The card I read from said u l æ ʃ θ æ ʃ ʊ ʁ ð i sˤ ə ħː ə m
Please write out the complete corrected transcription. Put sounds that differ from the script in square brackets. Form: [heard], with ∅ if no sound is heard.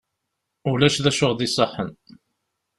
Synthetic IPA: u l æ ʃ [ð] æ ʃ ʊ ʁ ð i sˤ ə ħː ə [n]